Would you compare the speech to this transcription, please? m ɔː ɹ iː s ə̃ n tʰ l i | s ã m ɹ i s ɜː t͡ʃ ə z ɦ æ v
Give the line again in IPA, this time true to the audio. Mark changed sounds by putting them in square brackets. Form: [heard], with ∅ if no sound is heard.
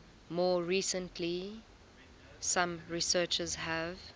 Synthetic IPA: m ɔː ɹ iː s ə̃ n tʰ l i | s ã m ɹ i s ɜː t͡ʃ ə z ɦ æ v

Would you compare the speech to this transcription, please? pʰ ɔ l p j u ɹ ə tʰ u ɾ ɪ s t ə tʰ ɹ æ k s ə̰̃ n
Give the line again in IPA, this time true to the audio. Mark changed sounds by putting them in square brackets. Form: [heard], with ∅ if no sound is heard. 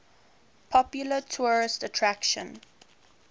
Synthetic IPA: pʰ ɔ [∅] p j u [l] ə tʰ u [ɹ] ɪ s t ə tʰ ɹ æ k [ʃ] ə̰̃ n

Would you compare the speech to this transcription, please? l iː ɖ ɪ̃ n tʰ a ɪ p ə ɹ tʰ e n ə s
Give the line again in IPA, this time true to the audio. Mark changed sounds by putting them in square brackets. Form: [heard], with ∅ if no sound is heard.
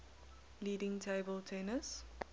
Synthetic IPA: l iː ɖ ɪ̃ [ŋ] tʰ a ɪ [b] ə [l] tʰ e n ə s

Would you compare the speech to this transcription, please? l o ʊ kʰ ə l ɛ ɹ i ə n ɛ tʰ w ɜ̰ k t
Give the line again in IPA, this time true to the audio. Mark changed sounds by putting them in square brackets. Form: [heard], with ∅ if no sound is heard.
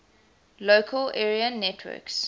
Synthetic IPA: l o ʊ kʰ ə l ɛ ɹ i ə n ɛ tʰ w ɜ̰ k [s]

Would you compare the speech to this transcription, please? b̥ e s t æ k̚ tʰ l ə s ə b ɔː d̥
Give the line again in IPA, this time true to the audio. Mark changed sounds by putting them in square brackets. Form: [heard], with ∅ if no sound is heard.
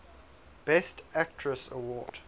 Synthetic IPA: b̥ [ɛ] s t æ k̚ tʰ [ɹ] ə s ə [w] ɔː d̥

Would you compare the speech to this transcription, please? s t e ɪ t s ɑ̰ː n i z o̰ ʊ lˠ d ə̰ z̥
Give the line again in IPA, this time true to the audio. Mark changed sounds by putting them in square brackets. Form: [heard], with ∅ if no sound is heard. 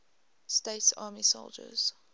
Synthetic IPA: s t e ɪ t s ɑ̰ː [m] i [s] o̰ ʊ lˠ [d͡ʒ] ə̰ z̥

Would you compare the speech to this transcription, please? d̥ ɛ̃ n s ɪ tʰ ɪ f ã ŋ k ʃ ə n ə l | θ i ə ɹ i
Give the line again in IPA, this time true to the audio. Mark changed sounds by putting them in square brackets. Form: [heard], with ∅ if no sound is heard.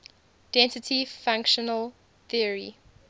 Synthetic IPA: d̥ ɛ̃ n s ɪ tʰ [i] f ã ŋ k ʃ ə n ə l | θ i ə ɹ i

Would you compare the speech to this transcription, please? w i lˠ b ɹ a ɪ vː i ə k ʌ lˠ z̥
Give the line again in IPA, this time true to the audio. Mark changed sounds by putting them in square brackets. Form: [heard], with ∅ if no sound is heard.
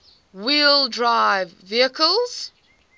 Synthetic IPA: w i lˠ [d] ɹ a ɪ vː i ə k [ə] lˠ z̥

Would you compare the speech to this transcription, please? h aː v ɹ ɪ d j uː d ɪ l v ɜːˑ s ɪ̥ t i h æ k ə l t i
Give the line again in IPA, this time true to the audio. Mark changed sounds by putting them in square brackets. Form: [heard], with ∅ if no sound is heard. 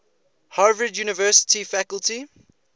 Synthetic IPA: h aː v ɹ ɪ d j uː [n] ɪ [∅] v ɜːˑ s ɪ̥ t i [f] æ k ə l t i

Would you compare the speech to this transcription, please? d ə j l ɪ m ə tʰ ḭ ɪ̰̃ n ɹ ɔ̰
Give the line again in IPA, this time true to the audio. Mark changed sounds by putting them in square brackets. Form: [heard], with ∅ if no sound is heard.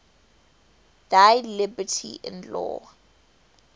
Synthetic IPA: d [a] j l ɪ [b] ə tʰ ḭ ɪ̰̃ n [l] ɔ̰

